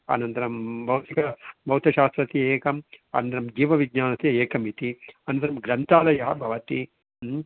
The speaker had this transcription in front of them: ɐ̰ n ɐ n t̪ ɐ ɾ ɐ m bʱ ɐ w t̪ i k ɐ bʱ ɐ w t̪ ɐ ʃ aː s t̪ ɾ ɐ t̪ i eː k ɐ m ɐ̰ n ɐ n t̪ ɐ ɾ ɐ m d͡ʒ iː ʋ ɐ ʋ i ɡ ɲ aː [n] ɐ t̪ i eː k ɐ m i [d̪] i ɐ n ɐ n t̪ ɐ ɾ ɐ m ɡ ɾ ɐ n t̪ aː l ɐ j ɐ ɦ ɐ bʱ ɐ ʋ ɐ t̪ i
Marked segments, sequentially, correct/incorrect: correct, incorrect

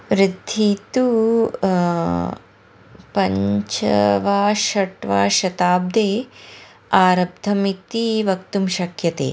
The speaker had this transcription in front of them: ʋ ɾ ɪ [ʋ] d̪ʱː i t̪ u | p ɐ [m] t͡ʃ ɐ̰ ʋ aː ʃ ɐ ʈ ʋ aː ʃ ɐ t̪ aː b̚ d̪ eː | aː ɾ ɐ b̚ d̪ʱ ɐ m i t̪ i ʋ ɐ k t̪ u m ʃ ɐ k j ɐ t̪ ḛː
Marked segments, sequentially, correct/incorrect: incorrect, incorrect

